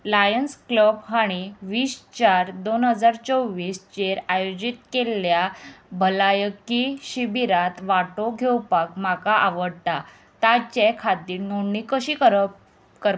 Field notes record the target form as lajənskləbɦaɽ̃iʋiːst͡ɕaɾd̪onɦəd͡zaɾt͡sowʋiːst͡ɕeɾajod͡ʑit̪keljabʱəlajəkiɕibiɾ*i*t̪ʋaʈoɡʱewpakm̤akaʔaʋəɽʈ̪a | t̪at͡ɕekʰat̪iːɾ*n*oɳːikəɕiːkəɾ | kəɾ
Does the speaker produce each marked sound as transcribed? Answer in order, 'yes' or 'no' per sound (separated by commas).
no, yes